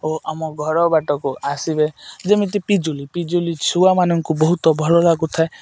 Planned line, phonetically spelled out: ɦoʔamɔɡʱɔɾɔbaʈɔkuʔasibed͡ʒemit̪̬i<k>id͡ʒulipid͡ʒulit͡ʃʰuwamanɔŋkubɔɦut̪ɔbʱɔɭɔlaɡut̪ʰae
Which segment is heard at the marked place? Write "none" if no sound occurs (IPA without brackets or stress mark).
p